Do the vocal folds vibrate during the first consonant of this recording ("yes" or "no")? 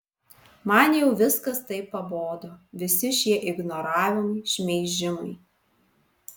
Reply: yes